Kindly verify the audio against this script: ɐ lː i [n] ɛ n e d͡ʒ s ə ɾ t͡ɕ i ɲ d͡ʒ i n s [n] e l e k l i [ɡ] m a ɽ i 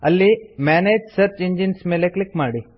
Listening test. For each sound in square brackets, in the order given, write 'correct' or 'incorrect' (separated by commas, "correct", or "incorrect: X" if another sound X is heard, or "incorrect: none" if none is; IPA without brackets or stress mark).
incorrect: m, incorrect: m, incorrect: k